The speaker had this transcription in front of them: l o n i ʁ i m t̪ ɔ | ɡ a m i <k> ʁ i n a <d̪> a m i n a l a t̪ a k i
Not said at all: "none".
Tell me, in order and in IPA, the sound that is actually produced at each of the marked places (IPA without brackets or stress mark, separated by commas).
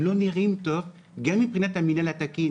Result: p, t̪